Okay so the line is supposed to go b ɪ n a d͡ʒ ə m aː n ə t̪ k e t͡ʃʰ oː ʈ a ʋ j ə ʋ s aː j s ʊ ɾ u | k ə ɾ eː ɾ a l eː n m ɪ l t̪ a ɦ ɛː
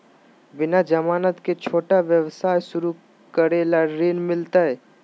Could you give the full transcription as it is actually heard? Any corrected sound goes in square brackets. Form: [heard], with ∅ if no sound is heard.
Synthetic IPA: b ɪ n a d͡ʒ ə m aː n ə t̪ k e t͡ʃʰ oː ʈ a ʋ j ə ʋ s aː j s ʊ ɾ u | k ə ɾ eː [l] a [ɾ] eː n m ɪ l t̪ a ɦ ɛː